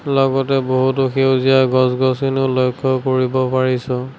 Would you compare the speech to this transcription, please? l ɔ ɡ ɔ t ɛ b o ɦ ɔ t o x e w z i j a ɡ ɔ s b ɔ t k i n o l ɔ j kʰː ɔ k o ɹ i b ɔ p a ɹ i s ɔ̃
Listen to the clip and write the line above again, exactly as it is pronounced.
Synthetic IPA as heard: l ɔ ɡ ɔ t ɛ b o ɦ u t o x e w z i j a ɡ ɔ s ɡ ɔ s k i n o l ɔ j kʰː ɔ k o ɹ i b ɔ p a ɹ i s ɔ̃